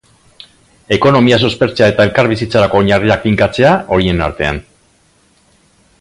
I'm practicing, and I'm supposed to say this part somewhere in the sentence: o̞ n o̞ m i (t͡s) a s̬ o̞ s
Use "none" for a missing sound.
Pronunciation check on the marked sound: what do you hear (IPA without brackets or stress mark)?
none